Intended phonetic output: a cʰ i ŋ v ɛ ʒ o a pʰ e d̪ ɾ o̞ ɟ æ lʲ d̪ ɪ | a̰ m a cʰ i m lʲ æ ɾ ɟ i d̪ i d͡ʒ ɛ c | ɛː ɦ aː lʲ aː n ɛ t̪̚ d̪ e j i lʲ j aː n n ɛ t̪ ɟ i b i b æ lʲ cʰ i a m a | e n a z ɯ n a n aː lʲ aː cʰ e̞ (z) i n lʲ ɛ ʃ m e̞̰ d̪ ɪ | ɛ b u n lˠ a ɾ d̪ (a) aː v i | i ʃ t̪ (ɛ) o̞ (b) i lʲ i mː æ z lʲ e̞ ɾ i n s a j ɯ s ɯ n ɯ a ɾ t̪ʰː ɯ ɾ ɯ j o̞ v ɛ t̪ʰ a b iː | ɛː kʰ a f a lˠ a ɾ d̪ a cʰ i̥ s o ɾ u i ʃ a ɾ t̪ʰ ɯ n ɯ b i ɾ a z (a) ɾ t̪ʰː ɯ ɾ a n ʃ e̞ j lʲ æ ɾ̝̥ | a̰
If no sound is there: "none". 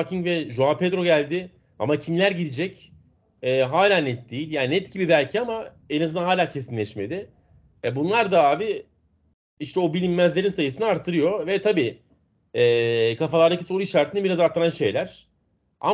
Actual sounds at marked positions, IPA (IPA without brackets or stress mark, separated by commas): s, a, ɛ, b, a